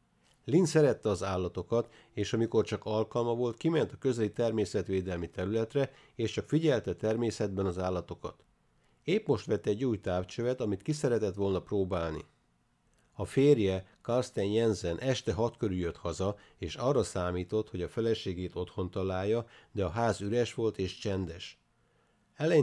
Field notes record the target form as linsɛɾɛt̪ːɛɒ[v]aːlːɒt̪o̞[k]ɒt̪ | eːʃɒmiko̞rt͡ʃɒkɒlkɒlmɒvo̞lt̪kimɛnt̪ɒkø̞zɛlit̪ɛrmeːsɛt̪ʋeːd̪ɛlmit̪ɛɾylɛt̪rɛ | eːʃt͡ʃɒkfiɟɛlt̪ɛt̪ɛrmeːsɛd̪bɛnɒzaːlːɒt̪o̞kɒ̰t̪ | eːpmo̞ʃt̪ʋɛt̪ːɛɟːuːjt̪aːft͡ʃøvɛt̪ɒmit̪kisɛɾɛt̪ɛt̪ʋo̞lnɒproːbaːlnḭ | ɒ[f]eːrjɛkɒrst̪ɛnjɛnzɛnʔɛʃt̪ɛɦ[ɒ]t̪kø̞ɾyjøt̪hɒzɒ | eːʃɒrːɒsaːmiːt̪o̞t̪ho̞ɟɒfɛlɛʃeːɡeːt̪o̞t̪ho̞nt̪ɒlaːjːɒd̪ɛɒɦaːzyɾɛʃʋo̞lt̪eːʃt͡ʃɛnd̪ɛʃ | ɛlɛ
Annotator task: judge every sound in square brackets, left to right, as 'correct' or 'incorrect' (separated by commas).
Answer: incorrect, correct, correct, correct